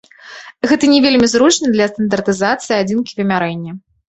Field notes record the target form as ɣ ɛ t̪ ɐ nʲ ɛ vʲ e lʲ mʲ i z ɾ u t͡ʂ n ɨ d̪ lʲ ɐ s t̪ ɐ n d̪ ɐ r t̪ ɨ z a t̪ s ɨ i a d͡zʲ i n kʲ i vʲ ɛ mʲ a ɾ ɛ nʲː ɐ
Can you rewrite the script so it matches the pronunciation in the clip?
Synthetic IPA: ɣ ɛ t̪ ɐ nʲ ɛ vʲ e lʲ mʲ i z ɾ u t͡ʂ n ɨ d̪ lʲ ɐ s t̪ ɐ n d̪ ɐ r t̪ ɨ z a t̪ s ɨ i a d͡zʲ i n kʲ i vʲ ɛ mʲ a ɾ ɛ nʲː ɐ